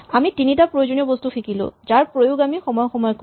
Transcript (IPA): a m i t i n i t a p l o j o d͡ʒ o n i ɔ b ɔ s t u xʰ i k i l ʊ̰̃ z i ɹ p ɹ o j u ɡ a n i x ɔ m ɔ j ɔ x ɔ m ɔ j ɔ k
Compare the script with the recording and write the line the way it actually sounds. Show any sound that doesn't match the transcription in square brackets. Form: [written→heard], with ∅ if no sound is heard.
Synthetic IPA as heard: a m i t i n i t a p [l→ɹ] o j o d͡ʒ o n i ɔ b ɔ s t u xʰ i k i l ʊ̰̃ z [i→a] ɹ p ɹ o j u ɡ a [n→m] i x ɔ m ɔ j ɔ x ɔ m ɔ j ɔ k